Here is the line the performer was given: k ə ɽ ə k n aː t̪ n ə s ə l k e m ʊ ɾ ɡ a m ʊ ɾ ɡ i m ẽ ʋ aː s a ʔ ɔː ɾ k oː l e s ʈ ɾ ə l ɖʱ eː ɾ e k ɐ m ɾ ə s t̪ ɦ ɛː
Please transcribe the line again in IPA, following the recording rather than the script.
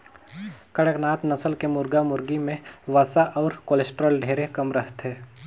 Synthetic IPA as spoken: k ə ɽ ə k n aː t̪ n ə s ə l k e m ʊ ɾ ɡ a m ʊ ɾ ɡ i m ẽ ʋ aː s a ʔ ɔː ɾ k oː l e s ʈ ɾ ə l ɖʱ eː ɾ e k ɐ m ɾ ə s t̪ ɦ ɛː